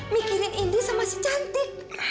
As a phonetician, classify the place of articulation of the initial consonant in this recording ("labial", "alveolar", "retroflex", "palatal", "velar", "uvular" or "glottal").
labial